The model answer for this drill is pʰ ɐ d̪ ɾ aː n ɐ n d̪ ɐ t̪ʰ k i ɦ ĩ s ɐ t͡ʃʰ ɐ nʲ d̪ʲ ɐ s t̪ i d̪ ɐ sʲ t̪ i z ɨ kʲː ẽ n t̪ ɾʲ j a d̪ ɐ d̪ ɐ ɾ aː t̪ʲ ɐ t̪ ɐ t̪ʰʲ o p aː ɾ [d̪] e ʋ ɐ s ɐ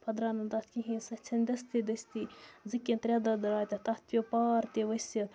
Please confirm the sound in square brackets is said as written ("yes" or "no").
no